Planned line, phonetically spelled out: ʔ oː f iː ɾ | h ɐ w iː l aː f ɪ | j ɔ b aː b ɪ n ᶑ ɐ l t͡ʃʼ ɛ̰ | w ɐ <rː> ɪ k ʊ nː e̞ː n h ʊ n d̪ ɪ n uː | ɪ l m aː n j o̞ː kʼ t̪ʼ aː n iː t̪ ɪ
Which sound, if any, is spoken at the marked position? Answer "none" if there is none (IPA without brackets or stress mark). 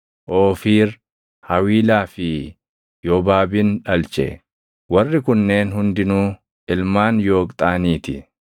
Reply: rː